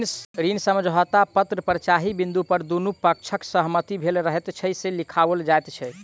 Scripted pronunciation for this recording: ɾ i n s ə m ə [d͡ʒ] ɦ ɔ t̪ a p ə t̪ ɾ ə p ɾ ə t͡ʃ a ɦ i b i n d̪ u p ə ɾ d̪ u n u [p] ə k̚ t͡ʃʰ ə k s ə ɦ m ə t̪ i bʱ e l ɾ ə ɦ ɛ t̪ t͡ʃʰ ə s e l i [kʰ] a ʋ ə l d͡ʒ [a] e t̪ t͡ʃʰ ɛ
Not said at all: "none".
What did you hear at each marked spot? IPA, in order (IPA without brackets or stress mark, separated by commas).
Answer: d͡ʒ, p, kʰ, a